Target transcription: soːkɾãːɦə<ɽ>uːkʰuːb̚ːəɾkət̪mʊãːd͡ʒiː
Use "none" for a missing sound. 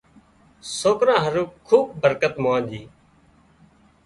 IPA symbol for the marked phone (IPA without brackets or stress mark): ɾ